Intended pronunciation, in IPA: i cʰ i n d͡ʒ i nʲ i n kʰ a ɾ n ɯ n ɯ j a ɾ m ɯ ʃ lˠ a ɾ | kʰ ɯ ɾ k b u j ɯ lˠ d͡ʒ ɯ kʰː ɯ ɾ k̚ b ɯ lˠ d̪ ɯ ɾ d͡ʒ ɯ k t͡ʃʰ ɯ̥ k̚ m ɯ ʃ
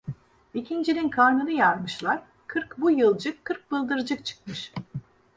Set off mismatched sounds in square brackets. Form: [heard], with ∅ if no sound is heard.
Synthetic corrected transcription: i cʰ i n d͡ʒ i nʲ i n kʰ a ɾ n ɯ n ɯ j a ɾ m ɯ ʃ lˠ a ɾ | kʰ ɯ ɾ k b u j ɯ lˠ d͡ʒ ɯ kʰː ɯ ɾ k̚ b ɯ lˠ d̪ ɯ ɾ d͡ʒ ɯ k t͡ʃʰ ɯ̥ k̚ m ɯ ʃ